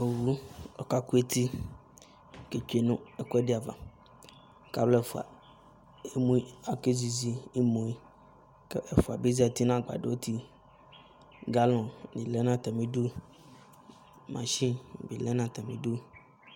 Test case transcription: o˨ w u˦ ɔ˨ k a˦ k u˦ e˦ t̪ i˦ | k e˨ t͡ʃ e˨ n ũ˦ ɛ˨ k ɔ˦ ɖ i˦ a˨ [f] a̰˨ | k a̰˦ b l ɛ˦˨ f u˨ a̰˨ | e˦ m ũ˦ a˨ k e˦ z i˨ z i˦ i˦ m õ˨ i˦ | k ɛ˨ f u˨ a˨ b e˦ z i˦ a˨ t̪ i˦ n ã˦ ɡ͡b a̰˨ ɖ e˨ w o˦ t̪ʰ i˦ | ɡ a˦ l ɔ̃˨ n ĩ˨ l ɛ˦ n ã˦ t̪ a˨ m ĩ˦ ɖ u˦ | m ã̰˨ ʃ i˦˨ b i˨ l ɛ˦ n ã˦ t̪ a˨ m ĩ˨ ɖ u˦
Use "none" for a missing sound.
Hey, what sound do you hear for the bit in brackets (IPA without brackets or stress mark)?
v